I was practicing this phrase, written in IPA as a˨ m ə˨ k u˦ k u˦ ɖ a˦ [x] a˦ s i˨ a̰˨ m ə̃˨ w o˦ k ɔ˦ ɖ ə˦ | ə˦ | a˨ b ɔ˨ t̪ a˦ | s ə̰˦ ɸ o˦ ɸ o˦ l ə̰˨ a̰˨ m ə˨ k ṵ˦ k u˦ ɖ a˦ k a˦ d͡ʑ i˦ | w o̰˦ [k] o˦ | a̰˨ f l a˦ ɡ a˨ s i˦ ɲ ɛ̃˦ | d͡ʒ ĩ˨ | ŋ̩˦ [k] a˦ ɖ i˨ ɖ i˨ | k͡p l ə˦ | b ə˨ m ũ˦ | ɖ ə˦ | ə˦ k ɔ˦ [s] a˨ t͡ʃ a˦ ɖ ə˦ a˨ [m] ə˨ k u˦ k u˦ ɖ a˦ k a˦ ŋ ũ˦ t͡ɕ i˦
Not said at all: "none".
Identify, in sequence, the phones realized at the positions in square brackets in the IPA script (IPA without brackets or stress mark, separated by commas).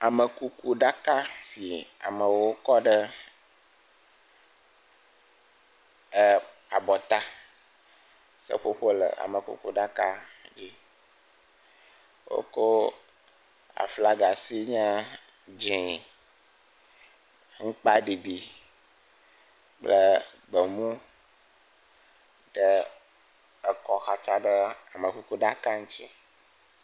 k, k, k͡p, x, m